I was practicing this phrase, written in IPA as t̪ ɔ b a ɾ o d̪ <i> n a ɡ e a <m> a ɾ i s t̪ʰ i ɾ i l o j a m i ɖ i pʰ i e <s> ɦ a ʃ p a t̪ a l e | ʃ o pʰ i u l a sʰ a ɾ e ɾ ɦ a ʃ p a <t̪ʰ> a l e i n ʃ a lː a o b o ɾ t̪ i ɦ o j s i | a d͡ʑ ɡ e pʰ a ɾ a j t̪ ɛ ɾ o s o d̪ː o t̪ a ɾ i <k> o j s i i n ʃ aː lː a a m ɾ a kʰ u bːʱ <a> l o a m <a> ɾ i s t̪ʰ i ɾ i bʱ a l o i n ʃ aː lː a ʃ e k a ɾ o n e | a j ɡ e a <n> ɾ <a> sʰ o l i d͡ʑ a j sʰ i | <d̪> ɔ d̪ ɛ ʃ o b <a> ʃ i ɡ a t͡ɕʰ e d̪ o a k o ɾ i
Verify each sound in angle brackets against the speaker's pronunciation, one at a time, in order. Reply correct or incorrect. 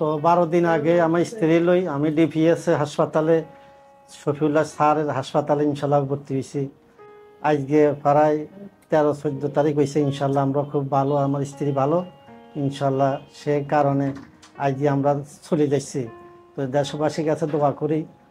correct, correct, correct, incorrect, correct, correct, correct, incorrect, correct, incorrect, correct

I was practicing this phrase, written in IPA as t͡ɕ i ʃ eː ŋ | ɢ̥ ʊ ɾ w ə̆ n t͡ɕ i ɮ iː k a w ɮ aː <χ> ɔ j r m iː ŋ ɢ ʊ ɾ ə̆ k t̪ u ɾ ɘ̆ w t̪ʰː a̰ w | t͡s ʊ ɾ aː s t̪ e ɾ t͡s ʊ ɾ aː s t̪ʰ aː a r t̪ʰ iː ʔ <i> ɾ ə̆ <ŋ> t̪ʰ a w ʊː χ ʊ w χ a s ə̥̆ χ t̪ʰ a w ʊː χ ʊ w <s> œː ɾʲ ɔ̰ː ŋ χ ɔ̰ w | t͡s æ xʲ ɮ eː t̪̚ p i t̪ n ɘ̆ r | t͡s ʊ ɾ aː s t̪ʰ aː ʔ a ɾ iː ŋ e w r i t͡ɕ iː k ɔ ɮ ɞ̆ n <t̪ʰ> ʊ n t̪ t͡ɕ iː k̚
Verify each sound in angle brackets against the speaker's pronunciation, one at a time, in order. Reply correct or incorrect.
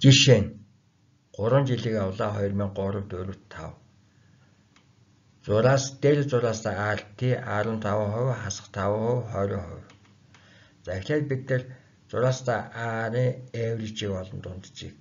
correct, incorrect, incorrect, incorrect, incorrect

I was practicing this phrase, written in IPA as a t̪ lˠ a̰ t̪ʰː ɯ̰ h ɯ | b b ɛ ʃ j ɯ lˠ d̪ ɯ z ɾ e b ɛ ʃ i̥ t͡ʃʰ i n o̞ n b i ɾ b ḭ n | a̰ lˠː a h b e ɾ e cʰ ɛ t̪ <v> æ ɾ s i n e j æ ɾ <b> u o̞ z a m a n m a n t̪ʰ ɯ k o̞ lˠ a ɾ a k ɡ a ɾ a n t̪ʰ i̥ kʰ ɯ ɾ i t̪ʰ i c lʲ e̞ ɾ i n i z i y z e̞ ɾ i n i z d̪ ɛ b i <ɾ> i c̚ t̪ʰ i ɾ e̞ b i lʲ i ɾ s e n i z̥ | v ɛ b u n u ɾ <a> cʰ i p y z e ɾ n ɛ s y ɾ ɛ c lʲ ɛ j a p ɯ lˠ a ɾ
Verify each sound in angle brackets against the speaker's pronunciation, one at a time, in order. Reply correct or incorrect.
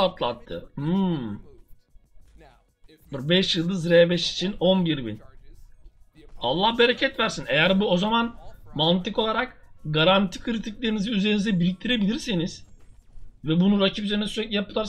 correct, correct, correct, correct

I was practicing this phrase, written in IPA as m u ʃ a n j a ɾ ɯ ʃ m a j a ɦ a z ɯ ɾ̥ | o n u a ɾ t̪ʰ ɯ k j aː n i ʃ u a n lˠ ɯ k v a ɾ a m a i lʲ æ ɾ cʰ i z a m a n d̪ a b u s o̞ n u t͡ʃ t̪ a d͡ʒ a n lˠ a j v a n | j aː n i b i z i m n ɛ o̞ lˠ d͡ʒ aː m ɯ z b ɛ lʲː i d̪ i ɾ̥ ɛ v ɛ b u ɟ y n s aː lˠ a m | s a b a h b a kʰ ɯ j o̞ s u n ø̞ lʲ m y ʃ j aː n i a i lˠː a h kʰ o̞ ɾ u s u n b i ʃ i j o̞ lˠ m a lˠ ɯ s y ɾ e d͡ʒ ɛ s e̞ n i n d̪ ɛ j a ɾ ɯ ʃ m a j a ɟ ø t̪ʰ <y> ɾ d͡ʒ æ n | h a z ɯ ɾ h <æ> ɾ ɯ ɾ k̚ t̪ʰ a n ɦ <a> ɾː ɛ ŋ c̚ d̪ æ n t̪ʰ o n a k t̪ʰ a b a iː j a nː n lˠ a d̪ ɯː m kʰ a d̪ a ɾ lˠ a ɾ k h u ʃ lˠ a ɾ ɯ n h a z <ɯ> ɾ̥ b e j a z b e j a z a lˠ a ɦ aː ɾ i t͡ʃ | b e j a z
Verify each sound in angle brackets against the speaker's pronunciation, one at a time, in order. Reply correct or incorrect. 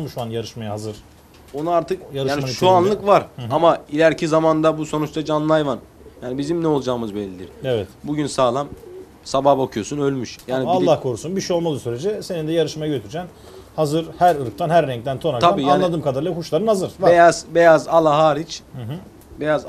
correct, correct, incorrect, correct

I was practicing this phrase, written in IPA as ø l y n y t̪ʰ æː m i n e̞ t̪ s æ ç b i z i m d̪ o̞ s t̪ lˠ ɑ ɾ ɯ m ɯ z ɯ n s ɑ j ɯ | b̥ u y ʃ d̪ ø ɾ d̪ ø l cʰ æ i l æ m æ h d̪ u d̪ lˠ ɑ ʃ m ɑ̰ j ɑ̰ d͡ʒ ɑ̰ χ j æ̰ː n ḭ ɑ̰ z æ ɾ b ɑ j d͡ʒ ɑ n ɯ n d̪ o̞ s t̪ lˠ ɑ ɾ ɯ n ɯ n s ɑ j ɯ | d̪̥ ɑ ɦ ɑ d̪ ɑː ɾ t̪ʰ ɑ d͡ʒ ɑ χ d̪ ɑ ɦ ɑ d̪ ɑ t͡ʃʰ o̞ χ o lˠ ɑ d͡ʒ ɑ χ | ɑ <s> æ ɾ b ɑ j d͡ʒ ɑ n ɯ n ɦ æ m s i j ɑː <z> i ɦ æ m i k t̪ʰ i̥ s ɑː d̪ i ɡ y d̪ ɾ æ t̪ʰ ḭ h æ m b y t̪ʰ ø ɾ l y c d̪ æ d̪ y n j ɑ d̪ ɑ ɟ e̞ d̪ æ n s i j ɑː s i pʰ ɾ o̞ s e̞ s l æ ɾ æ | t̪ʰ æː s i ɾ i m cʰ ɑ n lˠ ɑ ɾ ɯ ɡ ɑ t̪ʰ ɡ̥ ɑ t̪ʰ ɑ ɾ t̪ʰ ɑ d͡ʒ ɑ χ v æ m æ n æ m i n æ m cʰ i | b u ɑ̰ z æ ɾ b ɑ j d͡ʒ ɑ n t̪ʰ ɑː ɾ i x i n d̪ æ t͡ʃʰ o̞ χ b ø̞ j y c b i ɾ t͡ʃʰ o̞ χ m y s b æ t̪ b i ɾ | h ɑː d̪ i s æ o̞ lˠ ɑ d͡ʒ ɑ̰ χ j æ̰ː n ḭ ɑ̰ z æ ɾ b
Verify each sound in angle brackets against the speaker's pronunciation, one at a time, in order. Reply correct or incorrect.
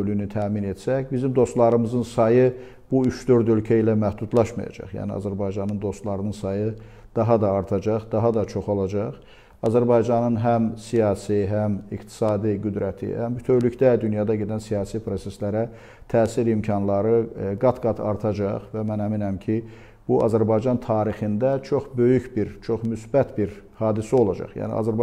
incorrect, incorrect

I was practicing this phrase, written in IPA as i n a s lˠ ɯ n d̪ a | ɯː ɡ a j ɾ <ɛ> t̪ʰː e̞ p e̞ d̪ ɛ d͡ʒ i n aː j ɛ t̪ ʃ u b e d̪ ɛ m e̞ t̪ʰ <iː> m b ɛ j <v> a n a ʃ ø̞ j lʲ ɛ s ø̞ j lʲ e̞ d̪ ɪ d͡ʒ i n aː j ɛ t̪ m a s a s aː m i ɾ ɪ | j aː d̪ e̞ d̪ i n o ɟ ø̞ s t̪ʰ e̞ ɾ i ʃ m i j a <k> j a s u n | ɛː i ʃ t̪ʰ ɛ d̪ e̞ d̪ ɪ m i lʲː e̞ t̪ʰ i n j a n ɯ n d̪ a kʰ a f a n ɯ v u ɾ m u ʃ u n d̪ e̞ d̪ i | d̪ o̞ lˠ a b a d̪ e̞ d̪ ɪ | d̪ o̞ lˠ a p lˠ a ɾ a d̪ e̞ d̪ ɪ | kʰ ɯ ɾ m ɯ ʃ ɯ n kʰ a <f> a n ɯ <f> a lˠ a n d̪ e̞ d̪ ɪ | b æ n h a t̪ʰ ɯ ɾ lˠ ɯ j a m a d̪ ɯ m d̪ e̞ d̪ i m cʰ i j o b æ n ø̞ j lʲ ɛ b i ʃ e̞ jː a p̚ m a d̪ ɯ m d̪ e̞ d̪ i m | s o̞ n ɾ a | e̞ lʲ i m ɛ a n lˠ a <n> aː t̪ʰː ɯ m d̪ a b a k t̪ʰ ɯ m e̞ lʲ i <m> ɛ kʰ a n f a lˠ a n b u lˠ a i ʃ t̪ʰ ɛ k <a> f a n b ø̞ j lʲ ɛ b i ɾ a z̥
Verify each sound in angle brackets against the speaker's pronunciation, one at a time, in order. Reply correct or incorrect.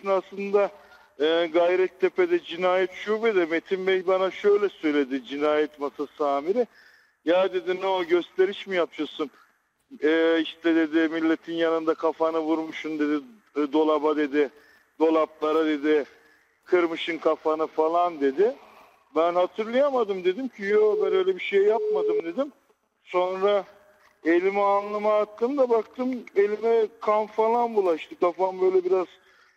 correct, incorrect, incorrect, incorrect, correct, correct, incorrect, correct, correct

